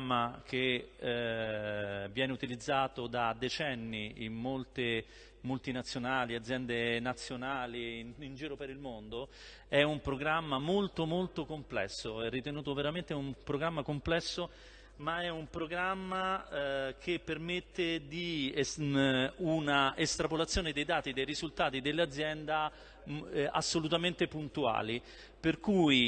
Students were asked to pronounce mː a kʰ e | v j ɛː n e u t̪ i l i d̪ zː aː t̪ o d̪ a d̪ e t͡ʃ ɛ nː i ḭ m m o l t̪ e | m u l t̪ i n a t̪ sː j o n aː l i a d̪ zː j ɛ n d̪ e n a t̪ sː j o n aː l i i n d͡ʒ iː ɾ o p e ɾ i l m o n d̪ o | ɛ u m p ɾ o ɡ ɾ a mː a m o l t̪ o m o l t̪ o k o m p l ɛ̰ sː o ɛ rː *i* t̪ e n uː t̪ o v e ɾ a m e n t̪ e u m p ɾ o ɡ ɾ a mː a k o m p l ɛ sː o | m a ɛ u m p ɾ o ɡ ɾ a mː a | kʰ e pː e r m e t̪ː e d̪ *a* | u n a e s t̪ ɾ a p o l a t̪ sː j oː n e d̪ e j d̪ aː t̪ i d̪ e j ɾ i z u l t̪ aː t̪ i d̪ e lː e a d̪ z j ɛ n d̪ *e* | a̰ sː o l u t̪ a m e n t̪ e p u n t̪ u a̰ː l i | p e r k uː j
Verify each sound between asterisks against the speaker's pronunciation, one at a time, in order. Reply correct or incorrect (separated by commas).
correct, incorrect, incorrect